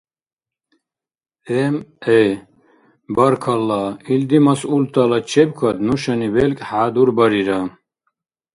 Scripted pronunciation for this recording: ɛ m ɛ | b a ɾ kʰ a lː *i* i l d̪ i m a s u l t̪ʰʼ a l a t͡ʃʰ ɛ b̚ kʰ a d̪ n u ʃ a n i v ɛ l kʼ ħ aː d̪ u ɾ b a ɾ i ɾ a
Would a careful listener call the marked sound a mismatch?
yes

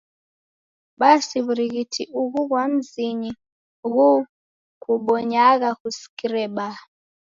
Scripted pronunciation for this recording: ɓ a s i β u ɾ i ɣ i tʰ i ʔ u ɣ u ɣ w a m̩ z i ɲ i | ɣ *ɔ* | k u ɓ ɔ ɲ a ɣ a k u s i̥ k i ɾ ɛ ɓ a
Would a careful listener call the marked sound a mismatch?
yes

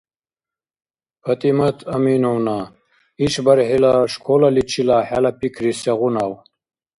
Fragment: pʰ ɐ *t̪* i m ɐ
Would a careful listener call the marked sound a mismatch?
no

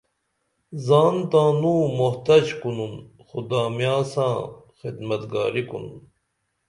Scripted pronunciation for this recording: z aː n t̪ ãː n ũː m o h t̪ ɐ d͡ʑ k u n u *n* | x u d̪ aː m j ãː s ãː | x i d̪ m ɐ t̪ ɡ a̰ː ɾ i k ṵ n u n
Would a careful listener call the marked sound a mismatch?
no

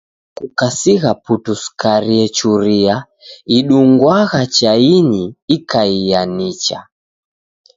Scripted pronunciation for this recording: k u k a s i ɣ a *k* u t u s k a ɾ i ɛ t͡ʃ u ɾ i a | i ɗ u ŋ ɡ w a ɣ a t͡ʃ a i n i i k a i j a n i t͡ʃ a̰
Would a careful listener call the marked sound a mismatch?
yes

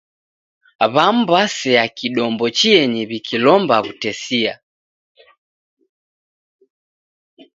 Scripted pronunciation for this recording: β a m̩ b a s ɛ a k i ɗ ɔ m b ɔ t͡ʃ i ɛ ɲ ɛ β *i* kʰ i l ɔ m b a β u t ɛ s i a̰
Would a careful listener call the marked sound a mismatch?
no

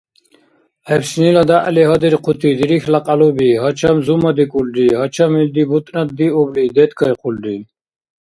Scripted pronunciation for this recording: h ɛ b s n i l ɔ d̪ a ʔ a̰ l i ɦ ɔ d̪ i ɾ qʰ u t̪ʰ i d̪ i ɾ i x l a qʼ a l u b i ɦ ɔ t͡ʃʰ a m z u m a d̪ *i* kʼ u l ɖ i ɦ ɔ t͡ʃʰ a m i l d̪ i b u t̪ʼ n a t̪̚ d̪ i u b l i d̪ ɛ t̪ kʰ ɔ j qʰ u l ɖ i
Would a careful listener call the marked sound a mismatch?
no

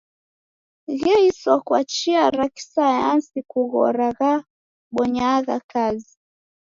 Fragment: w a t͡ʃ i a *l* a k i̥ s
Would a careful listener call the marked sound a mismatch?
yes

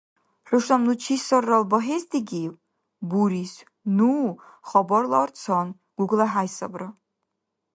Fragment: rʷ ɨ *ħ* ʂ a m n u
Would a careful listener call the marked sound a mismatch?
yes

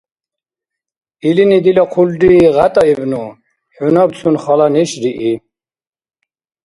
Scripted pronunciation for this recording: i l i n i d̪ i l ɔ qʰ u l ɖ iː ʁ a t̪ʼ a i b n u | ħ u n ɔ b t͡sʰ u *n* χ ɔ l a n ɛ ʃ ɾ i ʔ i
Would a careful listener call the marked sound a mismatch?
no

